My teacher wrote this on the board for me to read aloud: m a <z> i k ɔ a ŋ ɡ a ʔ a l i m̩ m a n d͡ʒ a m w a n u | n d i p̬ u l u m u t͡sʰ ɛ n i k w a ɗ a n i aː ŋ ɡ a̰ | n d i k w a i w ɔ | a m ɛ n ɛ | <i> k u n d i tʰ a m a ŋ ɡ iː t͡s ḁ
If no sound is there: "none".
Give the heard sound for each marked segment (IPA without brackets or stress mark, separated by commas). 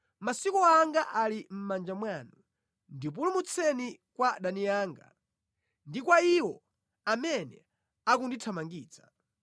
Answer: s, a